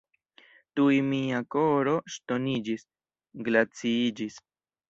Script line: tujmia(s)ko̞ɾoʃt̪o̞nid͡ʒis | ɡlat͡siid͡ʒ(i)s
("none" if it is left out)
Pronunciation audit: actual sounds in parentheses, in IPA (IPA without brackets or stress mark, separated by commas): none, i